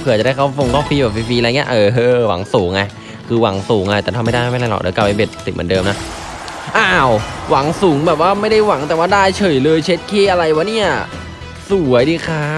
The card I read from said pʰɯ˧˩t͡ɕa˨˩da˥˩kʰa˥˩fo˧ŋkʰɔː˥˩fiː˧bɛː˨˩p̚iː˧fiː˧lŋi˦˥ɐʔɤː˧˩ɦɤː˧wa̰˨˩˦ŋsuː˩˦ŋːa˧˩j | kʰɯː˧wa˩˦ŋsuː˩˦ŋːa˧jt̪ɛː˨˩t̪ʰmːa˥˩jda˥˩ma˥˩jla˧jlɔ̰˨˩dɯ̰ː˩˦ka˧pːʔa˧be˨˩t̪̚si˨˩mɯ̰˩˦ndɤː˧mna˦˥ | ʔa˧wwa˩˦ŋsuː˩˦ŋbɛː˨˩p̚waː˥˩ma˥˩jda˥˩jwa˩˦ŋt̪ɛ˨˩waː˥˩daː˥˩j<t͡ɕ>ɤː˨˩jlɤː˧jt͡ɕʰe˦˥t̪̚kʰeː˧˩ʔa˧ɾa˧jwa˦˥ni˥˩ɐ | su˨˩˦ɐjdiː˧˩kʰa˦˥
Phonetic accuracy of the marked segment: incorrect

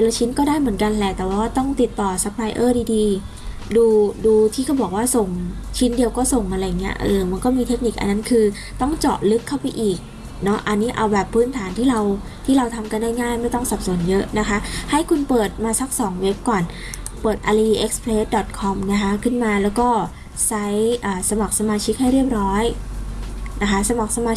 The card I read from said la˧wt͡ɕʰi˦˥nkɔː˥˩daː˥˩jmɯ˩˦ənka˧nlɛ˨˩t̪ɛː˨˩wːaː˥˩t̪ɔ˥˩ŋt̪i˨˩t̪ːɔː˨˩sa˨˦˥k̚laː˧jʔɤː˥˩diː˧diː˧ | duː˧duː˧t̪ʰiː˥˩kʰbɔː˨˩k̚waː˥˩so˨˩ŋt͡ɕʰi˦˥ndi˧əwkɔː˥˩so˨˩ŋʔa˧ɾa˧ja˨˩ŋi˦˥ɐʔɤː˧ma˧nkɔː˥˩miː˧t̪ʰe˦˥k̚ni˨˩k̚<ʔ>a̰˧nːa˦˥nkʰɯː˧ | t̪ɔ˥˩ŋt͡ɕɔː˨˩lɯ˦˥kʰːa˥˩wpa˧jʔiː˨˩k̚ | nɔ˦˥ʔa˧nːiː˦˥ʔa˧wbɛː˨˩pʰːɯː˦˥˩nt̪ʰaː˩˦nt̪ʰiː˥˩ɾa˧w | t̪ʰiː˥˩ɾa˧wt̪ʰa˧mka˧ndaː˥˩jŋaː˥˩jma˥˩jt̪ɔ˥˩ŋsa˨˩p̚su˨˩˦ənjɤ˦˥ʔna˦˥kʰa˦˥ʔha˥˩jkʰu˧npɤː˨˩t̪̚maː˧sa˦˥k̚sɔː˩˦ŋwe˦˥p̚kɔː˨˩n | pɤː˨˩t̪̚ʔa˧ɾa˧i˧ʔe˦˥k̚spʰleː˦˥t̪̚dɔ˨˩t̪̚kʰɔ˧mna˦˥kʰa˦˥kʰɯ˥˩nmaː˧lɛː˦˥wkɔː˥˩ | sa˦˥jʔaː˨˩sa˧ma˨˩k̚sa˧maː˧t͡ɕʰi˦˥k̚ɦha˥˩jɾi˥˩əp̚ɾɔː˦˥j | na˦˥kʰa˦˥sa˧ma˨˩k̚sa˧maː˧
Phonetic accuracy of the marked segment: correct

